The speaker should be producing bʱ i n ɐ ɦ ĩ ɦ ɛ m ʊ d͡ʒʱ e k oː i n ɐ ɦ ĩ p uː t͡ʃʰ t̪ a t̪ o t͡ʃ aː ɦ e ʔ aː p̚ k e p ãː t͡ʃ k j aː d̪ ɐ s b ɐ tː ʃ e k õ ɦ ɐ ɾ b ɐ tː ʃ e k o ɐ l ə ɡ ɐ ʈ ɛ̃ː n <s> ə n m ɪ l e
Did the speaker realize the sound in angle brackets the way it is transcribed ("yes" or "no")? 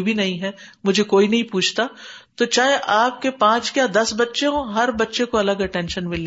no